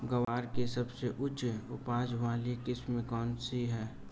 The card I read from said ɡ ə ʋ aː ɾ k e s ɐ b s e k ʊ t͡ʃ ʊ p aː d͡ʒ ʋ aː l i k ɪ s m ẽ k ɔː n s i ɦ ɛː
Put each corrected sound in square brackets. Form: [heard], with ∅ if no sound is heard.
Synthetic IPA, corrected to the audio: ɡ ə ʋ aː ɾ k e s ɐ b s e [ʔ] ʊ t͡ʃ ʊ p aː d͡ʒ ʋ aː l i k ɪ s m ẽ k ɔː n s i ɦ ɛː

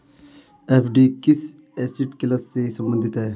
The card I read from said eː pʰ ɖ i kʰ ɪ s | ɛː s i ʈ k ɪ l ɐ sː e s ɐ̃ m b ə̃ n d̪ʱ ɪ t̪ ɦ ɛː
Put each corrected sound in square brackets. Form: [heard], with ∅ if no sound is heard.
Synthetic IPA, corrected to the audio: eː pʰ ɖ i [k] ɪ s | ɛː s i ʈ k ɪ l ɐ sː e s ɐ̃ m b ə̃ n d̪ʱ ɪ t̪ ɦ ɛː

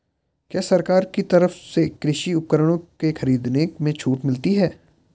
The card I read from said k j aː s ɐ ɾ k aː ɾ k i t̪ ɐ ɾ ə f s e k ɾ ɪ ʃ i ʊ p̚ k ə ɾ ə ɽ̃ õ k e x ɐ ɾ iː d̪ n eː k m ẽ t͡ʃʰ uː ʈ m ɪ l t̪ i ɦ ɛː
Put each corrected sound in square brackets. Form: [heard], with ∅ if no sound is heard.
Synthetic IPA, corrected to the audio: k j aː s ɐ ɾ k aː ɾ k i t̪ ɐ ɾ ə f s e k ɾ ɪ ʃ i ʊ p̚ k ə ɾ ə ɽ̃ õ k e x ɐ ɾ iː d̪ n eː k m ẽ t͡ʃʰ uː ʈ m ɪ l t̪ i ɦ ɛː

